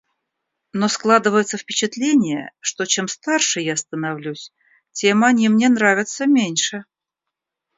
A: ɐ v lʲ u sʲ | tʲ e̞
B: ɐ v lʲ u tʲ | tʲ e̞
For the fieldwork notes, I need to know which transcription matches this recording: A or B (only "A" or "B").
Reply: A